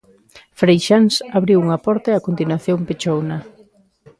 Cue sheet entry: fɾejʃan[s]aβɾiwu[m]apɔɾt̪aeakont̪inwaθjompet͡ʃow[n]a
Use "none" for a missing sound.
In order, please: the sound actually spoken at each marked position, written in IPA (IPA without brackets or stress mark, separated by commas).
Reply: s, ŋ, n